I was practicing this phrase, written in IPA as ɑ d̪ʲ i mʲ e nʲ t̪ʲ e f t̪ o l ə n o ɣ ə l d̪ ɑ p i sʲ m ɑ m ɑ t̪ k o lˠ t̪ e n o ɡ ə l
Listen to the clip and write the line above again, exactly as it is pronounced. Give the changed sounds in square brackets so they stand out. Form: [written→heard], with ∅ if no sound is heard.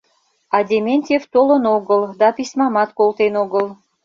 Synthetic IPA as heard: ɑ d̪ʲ [i→e] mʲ e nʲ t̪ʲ e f t̪ o l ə n o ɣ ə l d̪ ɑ p i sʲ m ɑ m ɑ t̪ k o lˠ t̪ e n o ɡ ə l